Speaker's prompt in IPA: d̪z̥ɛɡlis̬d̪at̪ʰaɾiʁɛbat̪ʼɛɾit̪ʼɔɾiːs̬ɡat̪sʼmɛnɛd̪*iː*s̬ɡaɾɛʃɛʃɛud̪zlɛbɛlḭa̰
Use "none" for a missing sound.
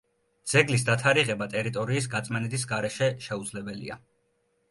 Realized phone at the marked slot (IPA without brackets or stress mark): i